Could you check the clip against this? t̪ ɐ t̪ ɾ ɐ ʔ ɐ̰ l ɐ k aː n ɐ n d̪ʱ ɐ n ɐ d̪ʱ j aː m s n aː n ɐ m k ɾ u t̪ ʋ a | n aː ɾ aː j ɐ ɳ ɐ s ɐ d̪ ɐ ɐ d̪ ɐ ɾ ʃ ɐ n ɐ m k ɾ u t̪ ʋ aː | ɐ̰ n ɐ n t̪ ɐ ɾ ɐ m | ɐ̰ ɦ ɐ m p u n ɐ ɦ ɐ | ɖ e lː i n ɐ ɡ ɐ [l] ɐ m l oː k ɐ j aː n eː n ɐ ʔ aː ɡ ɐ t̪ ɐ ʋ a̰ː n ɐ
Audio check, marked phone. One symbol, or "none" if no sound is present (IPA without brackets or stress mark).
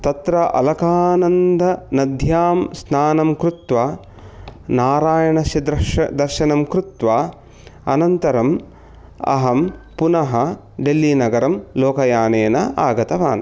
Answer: ɾ